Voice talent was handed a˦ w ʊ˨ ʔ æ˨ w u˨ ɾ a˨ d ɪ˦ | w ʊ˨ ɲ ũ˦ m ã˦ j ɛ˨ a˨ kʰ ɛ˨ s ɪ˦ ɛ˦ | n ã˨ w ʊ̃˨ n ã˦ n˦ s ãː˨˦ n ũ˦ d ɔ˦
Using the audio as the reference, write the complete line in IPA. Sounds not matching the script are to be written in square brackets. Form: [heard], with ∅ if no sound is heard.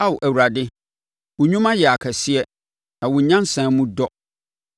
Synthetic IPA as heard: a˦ w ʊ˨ ʔ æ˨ w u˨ ɾ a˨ d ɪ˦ | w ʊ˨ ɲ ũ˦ m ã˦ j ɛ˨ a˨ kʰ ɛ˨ s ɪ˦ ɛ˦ | n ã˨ w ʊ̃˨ [ɲ] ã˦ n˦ s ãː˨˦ [m] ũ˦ d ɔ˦

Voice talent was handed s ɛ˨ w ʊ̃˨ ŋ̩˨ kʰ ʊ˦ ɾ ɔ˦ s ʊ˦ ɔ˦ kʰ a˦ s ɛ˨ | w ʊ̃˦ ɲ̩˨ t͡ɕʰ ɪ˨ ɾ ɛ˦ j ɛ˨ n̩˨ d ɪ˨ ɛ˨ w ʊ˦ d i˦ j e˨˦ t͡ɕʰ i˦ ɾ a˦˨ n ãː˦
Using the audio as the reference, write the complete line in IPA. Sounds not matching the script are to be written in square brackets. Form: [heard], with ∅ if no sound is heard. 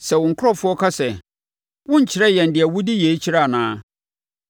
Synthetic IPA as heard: s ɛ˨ w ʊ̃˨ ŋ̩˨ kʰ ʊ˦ ɾ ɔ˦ [f] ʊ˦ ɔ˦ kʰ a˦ s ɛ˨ | w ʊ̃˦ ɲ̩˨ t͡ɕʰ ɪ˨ ɾ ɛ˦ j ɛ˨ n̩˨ d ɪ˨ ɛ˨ w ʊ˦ d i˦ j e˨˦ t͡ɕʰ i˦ ɾ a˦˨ n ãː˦

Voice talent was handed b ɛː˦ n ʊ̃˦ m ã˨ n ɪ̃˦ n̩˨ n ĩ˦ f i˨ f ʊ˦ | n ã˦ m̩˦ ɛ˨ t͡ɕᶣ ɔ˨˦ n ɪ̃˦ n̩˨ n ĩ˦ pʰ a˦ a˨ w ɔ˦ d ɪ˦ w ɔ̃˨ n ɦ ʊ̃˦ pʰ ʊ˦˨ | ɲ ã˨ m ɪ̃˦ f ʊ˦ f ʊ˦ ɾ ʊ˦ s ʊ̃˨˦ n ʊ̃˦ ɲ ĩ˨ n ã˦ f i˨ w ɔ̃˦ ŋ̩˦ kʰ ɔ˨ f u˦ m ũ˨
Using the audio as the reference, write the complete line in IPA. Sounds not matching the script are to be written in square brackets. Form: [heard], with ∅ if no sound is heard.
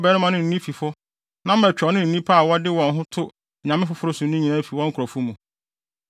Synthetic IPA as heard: b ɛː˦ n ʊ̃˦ m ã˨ n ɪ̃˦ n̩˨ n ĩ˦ f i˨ f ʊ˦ | n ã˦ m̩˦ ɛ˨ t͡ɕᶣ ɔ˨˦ n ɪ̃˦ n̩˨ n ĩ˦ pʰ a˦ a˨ w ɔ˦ d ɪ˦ w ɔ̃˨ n ɦ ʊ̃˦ [tʰ] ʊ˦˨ | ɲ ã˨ m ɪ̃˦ f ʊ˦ f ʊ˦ ɾ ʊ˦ s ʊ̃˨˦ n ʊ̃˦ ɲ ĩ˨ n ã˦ f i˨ w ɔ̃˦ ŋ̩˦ kʰ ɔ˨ f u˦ m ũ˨

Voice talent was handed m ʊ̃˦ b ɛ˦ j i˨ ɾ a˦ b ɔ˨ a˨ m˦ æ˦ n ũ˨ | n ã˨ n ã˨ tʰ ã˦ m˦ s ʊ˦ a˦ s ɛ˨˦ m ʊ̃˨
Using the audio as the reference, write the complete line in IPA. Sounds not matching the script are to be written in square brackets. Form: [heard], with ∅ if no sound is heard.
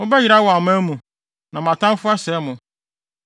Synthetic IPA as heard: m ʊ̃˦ b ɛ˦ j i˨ ɾ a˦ [w] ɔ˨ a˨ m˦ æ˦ [m] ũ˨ | n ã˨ [m] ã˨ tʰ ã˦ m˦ [f] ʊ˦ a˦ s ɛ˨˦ m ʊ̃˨

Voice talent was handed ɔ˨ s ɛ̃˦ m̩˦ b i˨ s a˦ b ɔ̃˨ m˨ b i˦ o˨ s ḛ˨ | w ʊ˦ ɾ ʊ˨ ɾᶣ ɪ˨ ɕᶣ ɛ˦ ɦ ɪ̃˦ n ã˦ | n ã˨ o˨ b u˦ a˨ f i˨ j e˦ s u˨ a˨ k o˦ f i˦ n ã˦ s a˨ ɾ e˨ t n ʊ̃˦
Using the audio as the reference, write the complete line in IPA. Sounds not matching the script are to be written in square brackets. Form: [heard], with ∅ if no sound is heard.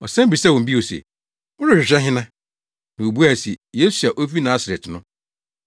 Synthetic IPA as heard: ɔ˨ s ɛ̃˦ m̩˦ b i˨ s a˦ [w] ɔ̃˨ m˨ b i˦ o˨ s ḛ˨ | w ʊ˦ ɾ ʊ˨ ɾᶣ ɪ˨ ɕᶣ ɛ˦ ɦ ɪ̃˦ n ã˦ | n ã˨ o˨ b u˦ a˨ [s] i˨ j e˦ s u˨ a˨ [ʔ] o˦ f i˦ n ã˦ s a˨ ɾ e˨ t n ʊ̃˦

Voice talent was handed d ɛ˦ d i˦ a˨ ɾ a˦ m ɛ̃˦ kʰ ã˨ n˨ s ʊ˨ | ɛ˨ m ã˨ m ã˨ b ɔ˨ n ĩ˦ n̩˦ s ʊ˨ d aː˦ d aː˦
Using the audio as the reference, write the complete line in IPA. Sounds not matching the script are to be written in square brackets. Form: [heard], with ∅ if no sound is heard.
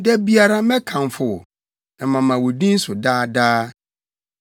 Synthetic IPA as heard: d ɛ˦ [b] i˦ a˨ ɾ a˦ m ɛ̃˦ kʰ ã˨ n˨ [f] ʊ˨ | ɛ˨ m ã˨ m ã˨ [w] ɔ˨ [d] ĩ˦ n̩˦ s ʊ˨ d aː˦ d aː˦

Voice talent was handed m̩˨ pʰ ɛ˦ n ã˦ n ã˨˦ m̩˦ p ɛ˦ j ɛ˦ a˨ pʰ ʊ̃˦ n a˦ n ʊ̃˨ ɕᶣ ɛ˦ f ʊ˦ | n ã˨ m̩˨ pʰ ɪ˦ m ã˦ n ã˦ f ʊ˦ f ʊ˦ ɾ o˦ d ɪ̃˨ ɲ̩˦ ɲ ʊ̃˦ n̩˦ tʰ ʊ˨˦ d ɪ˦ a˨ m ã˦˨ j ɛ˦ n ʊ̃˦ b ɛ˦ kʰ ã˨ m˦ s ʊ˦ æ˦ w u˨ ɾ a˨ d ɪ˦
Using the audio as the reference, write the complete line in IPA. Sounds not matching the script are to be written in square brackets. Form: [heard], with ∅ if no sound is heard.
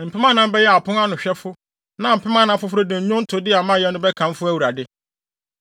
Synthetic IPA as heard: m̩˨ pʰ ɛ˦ [m] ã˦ n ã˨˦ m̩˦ [b] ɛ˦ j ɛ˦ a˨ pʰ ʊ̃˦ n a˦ n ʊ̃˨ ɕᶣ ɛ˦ f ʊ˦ | n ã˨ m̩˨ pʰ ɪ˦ m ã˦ n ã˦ f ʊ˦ f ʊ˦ ɾ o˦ d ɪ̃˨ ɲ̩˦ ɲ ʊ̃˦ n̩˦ tʰ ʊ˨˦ d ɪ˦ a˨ m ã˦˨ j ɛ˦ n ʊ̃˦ b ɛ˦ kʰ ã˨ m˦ [f] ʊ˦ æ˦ w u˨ ɾ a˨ d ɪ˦

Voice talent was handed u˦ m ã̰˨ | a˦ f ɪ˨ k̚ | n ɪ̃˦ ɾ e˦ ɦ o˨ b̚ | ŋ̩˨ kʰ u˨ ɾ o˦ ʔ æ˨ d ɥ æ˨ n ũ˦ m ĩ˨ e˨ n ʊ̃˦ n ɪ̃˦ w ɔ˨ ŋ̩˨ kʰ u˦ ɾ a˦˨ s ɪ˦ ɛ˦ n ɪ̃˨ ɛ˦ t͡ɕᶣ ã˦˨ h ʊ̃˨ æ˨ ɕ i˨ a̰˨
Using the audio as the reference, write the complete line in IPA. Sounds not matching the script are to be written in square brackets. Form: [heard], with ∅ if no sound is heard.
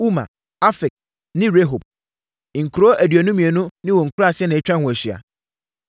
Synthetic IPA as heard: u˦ m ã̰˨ | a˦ f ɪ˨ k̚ | n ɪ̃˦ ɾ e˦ ɦ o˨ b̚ | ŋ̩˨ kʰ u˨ ɾ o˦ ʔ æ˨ d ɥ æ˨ n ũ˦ m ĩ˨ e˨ n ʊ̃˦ n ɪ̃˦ w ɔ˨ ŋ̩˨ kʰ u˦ ɾ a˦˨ s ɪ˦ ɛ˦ n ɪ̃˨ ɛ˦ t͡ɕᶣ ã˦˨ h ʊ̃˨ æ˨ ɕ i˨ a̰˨

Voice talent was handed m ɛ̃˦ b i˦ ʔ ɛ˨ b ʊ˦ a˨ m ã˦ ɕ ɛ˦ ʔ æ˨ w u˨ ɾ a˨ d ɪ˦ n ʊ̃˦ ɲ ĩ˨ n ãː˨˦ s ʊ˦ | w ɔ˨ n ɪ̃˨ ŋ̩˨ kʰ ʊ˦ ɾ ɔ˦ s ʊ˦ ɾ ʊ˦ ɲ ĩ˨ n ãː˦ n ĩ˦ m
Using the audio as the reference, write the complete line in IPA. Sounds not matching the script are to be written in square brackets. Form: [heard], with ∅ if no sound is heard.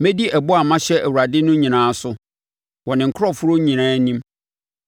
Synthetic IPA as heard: m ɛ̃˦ [d] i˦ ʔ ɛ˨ b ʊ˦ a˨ m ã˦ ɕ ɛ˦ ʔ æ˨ w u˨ ɾ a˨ d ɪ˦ n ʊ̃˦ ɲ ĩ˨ n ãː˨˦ s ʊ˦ | w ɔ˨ n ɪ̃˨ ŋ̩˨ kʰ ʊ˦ ɾ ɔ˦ [f] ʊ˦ ɾ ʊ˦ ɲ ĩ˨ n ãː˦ n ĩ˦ m

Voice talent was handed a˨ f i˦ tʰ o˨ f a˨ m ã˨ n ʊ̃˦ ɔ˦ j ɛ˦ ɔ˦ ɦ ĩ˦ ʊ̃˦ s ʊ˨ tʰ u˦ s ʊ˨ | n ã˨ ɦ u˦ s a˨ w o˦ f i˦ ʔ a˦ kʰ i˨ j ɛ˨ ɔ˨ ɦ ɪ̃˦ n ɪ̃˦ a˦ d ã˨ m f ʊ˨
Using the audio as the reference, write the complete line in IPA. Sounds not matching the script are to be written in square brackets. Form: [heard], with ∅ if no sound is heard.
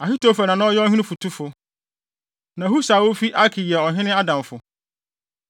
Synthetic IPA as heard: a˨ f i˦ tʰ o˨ f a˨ [n] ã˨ n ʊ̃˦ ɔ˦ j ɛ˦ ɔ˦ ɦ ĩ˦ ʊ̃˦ [f] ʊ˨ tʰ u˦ [f] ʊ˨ | n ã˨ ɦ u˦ s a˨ w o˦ f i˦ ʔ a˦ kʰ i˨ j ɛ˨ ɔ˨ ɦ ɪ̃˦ n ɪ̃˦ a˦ d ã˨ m f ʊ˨

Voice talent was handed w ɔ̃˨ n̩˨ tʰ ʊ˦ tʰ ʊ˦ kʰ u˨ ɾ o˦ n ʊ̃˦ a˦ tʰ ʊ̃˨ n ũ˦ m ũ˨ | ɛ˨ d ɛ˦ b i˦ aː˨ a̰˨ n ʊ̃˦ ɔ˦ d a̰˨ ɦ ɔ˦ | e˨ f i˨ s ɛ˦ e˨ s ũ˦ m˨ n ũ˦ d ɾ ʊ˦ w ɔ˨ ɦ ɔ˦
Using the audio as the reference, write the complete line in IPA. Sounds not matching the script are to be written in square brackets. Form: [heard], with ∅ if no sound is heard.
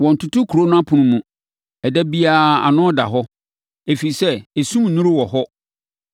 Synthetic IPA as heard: w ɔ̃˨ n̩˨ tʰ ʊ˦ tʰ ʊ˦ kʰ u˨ ɾ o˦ n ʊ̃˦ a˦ [pʰ] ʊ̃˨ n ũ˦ m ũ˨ | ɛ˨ d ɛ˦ b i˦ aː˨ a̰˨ n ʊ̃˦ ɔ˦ d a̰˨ ɦ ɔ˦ | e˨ f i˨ s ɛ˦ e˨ s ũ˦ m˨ n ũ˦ [∅] ɾ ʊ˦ w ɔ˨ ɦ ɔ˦

